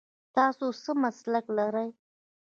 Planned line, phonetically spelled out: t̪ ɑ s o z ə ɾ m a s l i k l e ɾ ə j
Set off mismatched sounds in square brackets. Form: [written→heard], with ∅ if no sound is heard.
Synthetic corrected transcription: t̪ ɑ s o [z→s] ə [ɾ→∅] m a s l [i→a] k l [e→a] ɾ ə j